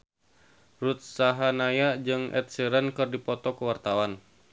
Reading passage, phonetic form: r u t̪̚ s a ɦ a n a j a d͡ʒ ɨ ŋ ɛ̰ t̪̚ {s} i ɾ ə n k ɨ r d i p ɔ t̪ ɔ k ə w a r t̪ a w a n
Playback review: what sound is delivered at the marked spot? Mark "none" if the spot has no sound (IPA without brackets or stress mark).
s